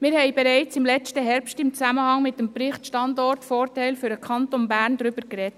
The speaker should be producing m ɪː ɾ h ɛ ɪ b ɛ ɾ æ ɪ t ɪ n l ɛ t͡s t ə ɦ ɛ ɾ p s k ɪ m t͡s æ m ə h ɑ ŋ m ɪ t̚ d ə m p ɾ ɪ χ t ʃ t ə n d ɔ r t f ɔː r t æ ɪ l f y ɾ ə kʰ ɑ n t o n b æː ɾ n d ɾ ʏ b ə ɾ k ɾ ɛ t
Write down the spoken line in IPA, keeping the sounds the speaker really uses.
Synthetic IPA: m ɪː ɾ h ɛ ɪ b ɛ ɾ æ ɪ t͡s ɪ m l ɛ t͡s t ə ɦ ɛ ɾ p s t ɪ m t͡s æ m ə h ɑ ŋ m ɪ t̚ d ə m p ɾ ɪ χ t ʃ t ɑ n d ɔ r t f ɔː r t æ ɪ l f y ɾ ə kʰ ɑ n t o n b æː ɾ n d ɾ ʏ b ə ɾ k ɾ ɛ t